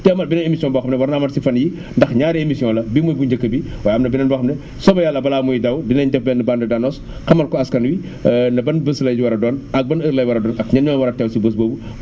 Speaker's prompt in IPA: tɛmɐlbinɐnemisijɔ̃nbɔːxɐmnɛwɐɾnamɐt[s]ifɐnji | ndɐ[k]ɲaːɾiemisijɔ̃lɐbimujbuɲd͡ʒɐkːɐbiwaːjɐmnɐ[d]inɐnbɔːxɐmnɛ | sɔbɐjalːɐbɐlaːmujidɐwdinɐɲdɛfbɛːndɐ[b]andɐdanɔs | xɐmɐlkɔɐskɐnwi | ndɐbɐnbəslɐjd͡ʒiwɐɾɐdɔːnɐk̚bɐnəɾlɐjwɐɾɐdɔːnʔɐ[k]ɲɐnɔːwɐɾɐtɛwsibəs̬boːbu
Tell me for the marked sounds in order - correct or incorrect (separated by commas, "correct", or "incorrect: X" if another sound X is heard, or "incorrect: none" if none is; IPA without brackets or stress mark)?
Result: correct, incorrect: x, incorrect: b, correct, correct